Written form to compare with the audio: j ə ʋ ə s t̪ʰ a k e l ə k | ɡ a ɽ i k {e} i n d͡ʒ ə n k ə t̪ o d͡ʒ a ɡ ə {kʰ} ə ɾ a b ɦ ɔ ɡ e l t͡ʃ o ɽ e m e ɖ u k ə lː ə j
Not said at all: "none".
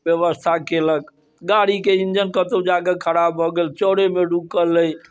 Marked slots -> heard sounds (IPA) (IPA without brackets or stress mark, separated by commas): e, kʰ